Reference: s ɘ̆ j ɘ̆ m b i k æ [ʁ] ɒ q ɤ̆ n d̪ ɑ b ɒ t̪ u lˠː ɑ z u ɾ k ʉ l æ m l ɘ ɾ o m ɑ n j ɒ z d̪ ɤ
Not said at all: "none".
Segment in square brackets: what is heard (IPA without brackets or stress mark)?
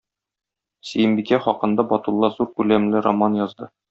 χ